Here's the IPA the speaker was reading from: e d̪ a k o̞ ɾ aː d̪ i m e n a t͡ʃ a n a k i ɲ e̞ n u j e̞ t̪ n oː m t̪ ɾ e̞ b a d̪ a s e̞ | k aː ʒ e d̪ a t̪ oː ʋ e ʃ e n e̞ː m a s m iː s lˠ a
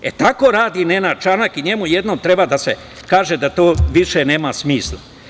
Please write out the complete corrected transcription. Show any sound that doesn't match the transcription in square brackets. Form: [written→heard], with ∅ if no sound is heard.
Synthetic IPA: e [d̪→t̪] a k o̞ ɾ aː d̪ i [m→n] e n a t͡ʃ a n a k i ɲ e̞ [n→m] u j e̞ [t̪→d̪] n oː m t̪ ɾ e̞ b a d̪ a s e̞ | k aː ʒ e d̪ a t̪ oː ʋ [e→i] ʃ e n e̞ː m a s m iː s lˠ a